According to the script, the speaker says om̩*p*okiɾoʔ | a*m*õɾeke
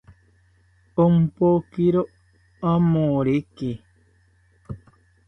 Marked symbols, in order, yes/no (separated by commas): yes, yes